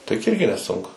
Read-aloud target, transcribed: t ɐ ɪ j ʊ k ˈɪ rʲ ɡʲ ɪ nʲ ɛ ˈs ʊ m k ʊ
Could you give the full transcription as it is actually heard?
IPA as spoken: t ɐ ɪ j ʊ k ˈɪ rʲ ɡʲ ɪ nʲ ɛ ˈs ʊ ŋ k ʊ